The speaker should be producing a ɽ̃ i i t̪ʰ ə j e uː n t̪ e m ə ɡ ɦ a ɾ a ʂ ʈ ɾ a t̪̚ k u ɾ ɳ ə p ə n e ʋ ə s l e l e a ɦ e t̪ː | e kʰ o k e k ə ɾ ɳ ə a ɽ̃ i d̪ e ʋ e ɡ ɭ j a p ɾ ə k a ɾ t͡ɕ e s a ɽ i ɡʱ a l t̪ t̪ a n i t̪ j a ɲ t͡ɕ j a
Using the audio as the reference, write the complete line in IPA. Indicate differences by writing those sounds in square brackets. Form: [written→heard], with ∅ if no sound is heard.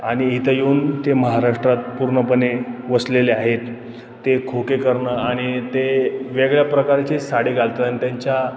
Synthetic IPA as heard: a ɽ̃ i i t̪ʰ ə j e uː n t̪ e m ə [ɡ→∅] ɦ a ɾ a ʂ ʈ ɾ a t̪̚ [k→p] u ɾ ɳ ə p ə n e ʋ ə s l e l e a ɦ e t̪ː | e kʰ o k e k ə ɾ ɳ ə a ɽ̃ i [d̪→t̪] e ʋ e ɡ ɭ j a p ɾ ə k a ɾ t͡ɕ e s a ɽ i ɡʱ a l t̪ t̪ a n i t̪ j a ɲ t͡ɕ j a